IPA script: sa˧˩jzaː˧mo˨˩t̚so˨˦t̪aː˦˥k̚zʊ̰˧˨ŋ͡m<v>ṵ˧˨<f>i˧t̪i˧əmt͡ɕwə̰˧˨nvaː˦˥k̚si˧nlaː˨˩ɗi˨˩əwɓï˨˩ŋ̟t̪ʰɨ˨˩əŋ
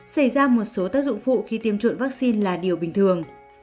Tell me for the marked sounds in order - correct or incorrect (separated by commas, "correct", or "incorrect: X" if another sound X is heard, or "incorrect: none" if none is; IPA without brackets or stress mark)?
incorrect: f, incorrect: x